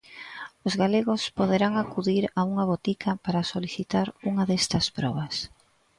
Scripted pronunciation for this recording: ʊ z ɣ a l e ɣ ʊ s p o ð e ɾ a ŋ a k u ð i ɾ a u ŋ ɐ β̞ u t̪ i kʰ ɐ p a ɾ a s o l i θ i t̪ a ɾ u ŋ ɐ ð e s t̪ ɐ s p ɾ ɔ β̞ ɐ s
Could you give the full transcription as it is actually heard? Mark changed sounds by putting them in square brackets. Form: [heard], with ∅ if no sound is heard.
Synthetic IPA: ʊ z ɣ a l e ɣ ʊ s p o ð e ɾ a ŋ a k u ð i ɾ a u ŋ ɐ β̞ [o] t̪ i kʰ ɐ p a ɾ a s o l i θ i t̪ a ɾ u ŋ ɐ ð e s t̪ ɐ s p ɾ ɔ β̞ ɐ s